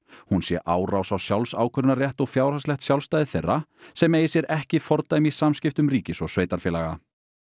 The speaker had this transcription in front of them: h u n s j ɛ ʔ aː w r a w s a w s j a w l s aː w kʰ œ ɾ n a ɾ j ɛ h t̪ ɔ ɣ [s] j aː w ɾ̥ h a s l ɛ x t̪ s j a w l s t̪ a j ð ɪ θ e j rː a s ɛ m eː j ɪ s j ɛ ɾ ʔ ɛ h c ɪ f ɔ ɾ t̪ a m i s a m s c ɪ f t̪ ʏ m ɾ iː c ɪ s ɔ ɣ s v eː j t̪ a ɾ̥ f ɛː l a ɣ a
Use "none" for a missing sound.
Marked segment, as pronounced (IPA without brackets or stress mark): f